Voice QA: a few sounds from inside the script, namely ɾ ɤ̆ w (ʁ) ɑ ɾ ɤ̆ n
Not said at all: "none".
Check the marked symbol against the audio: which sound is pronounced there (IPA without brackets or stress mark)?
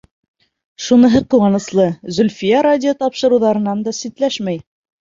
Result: ð